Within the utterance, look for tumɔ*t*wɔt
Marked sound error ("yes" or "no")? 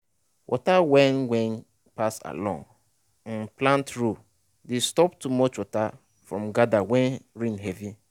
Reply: yes